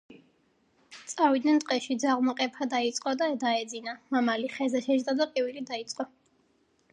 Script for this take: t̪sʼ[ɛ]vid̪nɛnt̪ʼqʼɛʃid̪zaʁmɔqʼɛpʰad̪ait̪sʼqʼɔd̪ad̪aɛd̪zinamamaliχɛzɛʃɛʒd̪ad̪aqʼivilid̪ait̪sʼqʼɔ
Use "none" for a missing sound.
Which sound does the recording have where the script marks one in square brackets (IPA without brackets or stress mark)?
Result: a